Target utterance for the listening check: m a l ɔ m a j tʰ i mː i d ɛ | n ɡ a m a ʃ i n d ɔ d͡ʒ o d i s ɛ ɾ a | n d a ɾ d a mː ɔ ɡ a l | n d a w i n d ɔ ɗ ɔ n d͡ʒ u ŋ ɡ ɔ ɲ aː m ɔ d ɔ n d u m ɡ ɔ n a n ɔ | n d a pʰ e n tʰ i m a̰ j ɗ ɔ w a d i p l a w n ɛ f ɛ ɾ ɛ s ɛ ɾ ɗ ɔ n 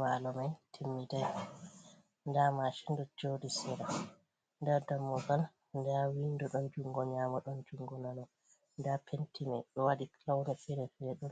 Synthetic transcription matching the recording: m a l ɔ m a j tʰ i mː i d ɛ | n d a m a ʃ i n d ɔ d͡ʒ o d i s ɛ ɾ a | n d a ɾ d a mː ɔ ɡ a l | n d a w i n d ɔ ɗ ɔ n d͡ʒ u ŋ ɡ ɔ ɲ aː m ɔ ɗ ɔ n d͡ʒ u ŋ ɡ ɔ n a n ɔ | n d a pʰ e n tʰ i m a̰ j ɗ ɔ w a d i k l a w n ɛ f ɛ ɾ ɛ f ɛ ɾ ɗ ɔ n